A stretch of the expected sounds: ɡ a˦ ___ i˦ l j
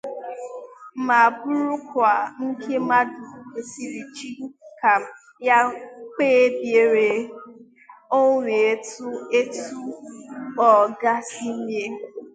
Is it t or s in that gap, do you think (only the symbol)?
s